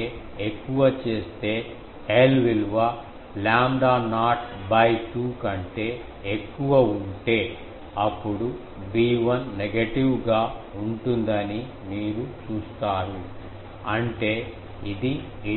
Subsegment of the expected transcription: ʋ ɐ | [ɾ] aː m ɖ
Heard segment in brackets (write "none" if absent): l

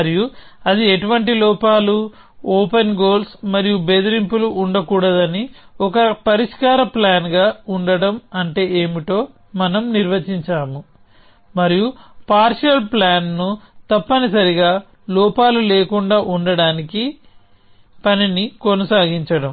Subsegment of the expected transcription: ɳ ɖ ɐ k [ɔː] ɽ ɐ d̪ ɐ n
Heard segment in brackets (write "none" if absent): uː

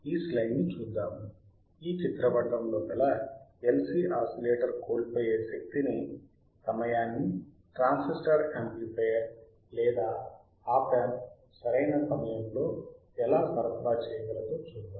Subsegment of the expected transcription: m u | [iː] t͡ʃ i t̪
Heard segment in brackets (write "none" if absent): iː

